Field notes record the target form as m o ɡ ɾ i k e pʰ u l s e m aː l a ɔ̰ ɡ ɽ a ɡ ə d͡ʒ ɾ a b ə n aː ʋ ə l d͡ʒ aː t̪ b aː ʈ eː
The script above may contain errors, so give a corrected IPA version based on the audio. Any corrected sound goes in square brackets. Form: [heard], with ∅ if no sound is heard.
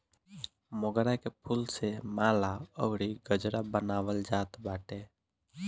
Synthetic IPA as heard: m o ɡ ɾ [a] k e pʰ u l s e m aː l a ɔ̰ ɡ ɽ [i] ɡ ə d͡ʒ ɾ a b ə n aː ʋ ə l d͡ʒ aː t̪ b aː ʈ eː